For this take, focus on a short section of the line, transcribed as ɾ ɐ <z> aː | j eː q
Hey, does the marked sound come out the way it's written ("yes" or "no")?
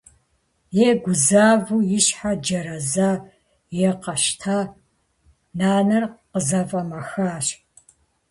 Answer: yes